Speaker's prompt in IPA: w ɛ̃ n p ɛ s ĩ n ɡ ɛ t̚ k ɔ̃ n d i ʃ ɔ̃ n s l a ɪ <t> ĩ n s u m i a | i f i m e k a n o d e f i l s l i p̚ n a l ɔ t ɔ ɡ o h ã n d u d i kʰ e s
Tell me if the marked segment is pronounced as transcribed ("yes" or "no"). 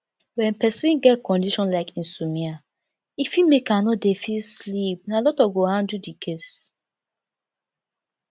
no